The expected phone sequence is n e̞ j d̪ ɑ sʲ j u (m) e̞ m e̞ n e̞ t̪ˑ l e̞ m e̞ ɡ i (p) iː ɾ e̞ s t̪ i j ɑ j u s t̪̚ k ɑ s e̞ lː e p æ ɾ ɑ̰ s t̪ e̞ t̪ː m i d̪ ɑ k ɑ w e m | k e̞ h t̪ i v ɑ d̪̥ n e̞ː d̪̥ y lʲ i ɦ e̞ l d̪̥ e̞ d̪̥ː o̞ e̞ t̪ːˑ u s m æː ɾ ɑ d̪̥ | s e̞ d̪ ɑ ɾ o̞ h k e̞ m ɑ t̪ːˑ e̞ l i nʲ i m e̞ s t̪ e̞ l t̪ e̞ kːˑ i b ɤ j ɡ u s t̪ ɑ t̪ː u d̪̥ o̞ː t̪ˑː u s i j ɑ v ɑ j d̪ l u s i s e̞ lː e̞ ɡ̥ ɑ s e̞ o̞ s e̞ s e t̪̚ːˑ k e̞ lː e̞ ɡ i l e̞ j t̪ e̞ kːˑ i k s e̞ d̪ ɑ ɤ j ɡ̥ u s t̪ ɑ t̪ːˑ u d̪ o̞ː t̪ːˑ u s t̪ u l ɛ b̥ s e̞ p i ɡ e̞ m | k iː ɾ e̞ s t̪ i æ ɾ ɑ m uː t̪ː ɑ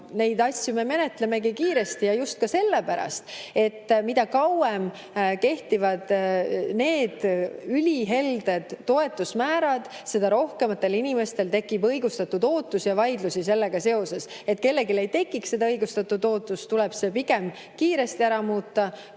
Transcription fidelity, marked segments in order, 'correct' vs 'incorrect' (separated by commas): correct, incorrect